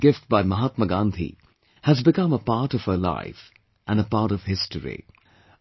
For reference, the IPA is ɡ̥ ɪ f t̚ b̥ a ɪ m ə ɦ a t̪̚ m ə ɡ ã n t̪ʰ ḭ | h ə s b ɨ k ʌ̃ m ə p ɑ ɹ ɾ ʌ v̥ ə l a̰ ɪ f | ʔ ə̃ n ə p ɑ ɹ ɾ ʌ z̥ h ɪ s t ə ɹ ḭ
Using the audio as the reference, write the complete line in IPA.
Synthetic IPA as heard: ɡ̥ ɪ f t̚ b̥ a ɪ m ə ɦ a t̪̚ m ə ɡ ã n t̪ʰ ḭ | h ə z b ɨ k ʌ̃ m ə p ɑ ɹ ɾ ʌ v̥ ə l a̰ ɪ f | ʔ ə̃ n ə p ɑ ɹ ɾ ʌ v̥ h ɪ s t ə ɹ ḭ